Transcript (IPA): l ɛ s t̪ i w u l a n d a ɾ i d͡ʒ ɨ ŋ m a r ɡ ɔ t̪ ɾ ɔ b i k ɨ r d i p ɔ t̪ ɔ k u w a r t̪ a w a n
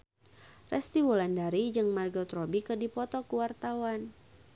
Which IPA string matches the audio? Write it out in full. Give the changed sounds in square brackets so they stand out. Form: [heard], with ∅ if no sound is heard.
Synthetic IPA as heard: [r] ɛ s t̪ i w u l a n d a ɾ i d͡ʒ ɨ ŋ m a r ɡ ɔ t̪ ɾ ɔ b i k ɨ r d i p ɔ t̪ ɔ k u w a r t̪ a w a n